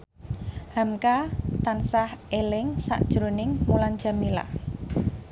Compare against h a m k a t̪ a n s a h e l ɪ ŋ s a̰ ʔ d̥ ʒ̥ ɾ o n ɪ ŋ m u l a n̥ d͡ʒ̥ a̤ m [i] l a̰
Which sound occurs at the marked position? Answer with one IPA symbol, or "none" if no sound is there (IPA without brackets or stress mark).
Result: i